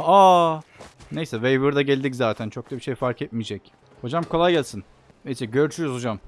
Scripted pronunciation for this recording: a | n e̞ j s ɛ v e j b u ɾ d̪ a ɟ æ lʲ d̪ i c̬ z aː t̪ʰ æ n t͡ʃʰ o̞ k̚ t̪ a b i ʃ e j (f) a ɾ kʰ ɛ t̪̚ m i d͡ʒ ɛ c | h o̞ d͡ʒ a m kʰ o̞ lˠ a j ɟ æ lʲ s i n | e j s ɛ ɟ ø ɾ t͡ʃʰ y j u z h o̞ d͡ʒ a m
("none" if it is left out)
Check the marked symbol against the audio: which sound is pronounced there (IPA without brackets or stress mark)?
f